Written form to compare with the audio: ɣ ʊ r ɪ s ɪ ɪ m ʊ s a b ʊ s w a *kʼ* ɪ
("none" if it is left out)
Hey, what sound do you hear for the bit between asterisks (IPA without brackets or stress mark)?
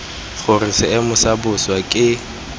kʼ